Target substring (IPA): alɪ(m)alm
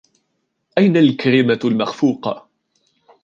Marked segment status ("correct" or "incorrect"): correct